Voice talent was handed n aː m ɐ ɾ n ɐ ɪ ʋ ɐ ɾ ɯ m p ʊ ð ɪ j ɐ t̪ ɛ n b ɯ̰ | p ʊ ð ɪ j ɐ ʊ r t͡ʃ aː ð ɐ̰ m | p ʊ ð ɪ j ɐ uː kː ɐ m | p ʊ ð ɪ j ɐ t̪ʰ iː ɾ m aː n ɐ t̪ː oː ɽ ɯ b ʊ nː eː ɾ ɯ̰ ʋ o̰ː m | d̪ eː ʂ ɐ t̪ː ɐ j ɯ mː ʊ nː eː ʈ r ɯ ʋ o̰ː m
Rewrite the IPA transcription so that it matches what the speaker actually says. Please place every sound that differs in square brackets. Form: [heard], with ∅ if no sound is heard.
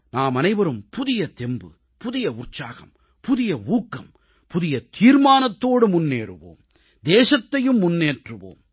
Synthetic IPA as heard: n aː m ɐ [∅] n ɐ ɪ ʋ ɐ ɾ ɯ m p ʊ ð ɪ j ɐ t̪ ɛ [m] b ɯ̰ | p ʊ ð ɪ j ɐ ʊ r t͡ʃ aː [ɣ] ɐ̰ m | p ʊ ð ɪ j ɐ uː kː ɐ m | p ʊ ð ɪ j ɐ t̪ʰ iː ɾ m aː n ɐ t̪ː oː ɽ ɯ [m] ʊ nː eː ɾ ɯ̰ ʋ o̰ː m | d̪ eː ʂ ɐ t̪ː ɐ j ɯ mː ʊ nː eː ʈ r ɯ ʋ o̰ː m